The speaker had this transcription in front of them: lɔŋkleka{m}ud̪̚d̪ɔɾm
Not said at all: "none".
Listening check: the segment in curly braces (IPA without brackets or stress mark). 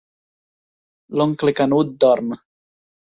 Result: n